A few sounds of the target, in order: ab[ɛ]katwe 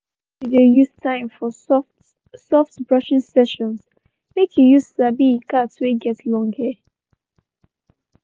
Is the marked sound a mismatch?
yes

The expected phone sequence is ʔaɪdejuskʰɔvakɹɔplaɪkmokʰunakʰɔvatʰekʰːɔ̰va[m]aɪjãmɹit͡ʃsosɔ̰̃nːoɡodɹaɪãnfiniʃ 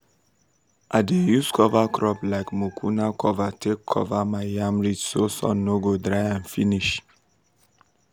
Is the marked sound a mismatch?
no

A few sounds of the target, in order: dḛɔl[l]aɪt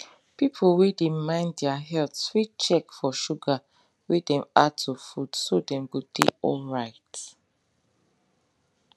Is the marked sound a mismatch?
yes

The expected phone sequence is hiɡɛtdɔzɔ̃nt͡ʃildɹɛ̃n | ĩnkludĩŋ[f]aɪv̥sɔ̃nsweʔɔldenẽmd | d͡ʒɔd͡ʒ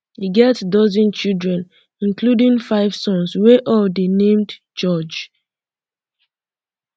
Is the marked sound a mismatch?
no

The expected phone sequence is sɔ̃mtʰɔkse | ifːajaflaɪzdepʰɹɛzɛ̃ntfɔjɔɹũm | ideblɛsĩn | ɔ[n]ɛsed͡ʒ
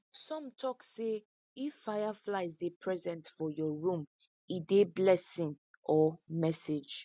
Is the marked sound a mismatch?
yes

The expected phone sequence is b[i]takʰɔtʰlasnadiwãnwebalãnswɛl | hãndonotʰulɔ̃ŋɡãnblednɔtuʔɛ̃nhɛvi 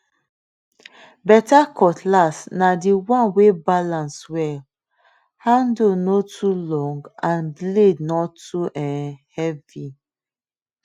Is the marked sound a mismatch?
yes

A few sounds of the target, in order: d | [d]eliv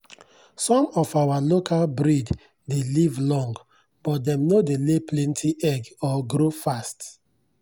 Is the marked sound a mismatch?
no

